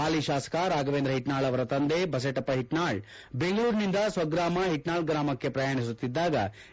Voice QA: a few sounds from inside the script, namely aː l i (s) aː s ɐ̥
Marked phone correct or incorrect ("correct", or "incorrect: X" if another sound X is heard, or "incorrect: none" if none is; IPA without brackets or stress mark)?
incorrect: ʃ